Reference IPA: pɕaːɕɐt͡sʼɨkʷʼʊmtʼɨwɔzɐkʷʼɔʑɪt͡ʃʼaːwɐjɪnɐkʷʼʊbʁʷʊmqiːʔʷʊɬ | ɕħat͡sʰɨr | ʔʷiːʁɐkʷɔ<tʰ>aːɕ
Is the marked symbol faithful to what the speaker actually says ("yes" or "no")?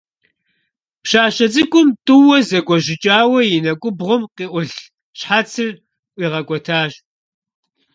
yes